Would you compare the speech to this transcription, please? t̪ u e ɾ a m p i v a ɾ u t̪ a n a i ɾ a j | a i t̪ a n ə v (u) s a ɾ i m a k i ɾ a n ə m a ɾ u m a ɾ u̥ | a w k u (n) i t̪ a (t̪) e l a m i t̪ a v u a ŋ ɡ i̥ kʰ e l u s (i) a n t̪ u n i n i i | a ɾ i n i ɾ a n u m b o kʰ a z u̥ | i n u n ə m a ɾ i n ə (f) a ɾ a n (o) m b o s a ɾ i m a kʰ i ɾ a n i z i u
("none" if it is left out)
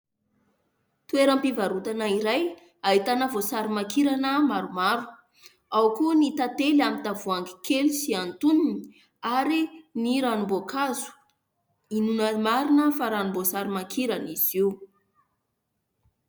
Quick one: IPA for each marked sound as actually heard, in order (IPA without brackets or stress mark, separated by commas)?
o, n, t̪, i, f, u